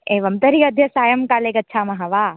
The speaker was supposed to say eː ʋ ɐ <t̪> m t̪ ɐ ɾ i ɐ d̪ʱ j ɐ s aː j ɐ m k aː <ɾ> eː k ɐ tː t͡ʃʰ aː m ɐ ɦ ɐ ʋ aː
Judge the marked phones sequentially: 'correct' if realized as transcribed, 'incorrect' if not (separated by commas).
incorrect, incorrect